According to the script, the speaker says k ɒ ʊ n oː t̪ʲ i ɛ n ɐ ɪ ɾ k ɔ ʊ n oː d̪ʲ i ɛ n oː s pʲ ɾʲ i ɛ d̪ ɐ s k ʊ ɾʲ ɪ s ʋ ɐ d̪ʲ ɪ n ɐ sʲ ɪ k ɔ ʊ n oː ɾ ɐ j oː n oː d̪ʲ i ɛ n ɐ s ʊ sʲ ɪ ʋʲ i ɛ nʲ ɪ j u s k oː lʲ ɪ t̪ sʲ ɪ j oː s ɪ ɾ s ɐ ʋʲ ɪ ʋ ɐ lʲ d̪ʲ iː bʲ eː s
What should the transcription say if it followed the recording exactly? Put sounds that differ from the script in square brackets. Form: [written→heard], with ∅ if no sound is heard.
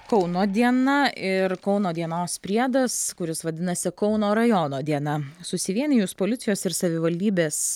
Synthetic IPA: k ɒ ʊ n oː [t̪ʲ→d̪ʲ] i ɛ n ɐ ɪ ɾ k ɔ ʊ n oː d̪ʲ i ɛ n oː s pʲ ɾʲ i ɛ d̪ ɐ s k ʊ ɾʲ ɪ s ʋ ɐ d̪ʲ ɪ n ɐ sʲ ɪ k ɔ ʊ n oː ɾ ɐ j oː n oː d̪ʲ i ɛ n ɐ s ʊ sʲ ɪ ʋʲ i ɛ nʲ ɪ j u s [k→p] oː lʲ ɪ t̪ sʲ ɪ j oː s ɪ ɾ s ɐ ʋʲ ɪ ʋ ɐ lʲ d̪ʲ iː bʲ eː s